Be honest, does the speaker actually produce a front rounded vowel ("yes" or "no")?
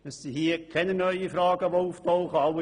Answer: yes